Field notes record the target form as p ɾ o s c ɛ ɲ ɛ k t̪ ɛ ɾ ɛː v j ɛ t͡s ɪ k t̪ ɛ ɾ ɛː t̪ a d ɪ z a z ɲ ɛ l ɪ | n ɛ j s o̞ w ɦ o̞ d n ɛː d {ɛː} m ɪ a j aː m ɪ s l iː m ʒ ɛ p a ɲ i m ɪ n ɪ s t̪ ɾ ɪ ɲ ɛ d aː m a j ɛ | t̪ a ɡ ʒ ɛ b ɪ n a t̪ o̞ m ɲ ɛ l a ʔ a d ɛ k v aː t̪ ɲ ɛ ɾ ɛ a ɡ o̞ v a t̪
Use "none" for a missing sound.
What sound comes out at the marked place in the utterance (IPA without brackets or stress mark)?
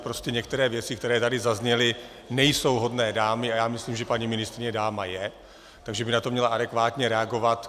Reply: aː